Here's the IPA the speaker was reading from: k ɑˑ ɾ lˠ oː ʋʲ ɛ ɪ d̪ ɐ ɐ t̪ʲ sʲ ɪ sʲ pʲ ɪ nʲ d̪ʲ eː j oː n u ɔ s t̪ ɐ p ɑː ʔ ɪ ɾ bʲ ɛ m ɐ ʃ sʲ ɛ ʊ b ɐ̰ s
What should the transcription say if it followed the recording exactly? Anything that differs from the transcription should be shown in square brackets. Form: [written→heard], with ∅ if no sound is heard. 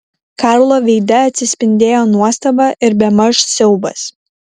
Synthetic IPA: k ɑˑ ɾ lˠ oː ʋʲ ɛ ɪ d̪ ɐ ɐ t̪ʲ sʲ ɪ sʲ pʲ ɪ nʲ d̪ʲ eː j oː n u ɔ s t̪ ɐ [p→b] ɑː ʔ ɪ ɾ bʲ ɛ m ɐ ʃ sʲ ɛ ʊ b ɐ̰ s

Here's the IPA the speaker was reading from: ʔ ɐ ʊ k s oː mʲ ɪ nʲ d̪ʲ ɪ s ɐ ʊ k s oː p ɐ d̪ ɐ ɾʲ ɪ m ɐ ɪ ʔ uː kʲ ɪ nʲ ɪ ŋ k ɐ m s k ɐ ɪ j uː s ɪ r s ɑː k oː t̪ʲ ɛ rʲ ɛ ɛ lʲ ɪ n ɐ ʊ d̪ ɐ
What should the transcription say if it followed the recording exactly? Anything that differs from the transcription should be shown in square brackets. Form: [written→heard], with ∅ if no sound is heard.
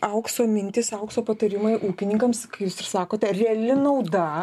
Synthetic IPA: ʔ ɐ ʊ k s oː mʲ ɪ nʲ [d̪ʲ→t̪ʲ] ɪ s ɐ ʊ k s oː p ɐ [d̪→t̪] ɐ ɾʲ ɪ m ɐ ɪ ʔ uː kʲ ɪ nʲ ɪ ŋ k ɐ m s k ɐ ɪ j uː s ɪ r s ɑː k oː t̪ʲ ɛ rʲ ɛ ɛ lʲ ɪ n ɐ ʊ d̪ ɐ

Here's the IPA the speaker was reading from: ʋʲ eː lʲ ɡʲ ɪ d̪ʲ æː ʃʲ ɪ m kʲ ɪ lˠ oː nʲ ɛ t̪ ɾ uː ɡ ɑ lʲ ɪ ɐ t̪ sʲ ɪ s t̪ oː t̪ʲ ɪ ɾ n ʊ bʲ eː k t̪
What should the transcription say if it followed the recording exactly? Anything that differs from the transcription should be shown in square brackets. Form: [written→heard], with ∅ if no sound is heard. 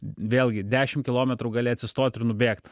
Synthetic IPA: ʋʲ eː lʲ ɡʲ ɪ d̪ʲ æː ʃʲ ɪ m kʲ ɪ lˠ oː [nʲ→mʲ] ɛ t̪ ɾ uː ɡ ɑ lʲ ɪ ɐ t̪ sʲ ɪ s t̪ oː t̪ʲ ɪ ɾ n ʊ bʲ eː k t̪

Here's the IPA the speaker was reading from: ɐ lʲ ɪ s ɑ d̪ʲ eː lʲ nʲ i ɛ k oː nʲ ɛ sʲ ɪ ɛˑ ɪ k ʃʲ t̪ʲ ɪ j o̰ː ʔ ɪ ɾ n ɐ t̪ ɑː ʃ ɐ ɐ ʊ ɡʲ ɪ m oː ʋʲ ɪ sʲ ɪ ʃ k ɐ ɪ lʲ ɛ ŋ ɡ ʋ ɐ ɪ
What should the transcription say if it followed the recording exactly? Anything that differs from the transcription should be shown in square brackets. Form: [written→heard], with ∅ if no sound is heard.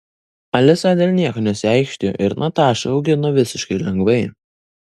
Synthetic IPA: ɐ lʲ ɪ s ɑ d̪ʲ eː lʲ nʲ i ɛ k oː nʲ ɛ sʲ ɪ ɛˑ ɪ k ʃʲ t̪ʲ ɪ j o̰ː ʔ ɪ ɾ n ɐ t̪ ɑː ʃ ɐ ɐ ʊ ɡʲ ɪ [m→n] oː ʋʲ ɪ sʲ ɪ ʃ k ɐ ɪ lʲ ɛ ŋ ɡ ʋ ɐ ɪ

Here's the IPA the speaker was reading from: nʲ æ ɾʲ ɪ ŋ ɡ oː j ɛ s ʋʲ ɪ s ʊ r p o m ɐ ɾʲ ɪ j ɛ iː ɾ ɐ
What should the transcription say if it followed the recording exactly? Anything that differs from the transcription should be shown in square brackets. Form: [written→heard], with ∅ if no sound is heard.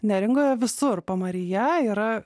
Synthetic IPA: nʲ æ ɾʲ ɪ ŋ ɡ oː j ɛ [s→∅] ʋʲ ɪ s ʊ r p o m ɐ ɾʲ ɪ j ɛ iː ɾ ɐ

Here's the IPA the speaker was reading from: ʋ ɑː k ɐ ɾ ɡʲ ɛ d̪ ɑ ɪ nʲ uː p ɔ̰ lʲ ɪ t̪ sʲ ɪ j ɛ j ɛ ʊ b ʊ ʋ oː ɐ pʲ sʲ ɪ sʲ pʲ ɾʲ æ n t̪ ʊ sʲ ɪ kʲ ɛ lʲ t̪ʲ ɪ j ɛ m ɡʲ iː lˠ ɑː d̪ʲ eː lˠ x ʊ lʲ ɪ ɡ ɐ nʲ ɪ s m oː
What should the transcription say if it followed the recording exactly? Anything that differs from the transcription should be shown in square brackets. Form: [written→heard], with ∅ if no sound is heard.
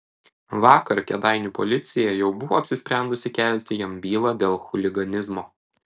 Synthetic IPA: ʋ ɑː k ɐ ɾ [ɡʲ→kʲ] ɛ d̪ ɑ ɪ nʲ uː p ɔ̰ lʲ ɪ t̪ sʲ ɪ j ɛ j ɛ ʊ b ʊ ʋ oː ɐ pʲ sʲ ɪ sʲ pʲ ɾʲ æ n [t̪→d̪] ʊ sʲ ɪ kʲ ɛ lʲ t̪ʲ ɪ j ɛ m [ɡʲ→bʲ] iː lˠ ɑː d̪ʲ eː lˠ x ʊ lʲ ɪ ɡ ɐ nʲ ɪ [s→z] m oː

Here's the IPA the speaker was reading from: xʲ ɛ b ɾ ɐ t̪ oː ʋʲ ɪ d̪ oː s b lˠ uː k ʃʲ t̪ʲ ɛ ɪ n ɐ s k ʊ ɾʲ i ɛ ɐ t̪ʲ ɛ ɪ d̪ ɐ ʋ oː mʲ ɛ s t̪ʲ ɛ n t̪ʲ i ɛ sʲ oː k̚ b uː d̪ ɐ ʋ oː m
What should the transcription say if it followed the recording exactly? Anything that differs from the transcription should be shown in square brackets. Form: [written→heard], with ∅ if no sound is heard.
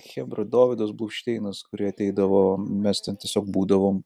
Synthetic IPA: xʲ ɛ b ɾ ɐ [t̪→d̪] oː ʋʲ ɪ d̪ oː s b lˠ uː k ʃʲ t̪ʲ ɛ ɪ n ɐ s k ʊ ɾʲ i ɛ ɐ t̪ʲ ɛ ɪ d̪ ɐ ʋ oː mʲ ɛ s t̪ʲ ɛ n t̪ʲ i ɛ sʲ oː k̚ b uː d̪ ɐ ʋ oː m

